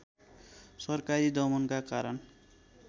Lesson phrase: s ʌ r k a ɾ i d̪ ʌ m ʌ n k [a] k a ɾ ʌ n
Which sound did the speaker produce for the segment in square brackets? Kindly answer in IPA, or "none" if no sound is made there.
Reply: a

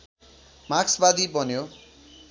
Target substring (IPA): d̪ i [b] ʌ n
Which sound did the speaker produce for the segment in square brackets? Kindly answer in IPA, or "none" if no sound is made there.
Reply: b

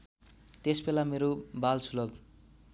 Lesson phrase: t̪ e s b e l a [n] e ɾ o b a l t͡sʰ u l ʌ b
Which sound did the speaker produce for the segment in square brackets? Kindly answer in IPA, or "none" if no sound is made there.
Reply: m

